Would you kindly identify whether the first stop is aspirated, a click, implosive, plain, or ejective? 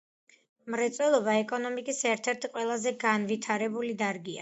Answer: plain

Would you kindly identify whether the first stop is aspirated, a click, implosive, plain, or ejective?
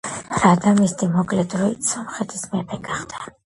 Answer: plain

